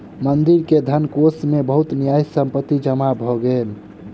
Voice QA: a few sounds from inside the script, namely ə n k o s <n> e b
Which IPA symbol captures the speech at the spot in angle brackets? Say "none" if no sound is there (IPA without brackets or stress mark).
m